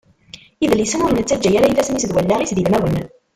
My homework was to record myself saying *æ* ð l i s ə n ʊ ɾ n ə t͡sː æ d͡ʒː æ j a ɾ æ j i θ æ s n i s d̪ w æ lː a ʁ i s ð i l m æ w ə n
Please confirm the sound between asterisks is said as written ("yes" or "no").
no